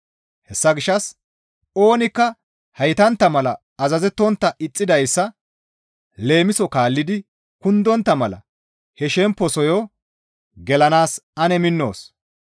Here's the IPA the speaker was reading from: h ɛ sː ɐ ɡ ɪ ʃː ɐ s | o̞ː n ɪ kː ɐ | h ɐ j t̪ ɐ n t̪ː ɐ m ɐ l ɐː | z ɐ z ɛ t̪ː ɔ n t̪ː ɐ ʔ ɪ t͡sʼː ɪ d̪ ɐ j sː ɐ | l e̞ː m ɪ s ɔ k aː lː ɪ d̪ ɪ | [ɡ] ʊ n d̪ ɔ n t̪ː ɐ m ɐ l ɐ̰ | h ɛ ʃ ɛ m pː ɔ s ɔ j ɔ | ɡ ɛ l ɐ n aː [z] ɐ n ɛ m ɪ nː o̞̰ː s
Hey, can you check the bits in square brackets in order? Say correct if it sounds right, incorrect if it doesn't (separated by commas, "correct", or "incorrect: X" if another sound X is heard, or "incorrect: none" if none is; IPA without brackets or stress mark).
incorrect: k, incorrect: s